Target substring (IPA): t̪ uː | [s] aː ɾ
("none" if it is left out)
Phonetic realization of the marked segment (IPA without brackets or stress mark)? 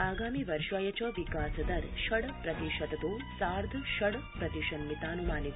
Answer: s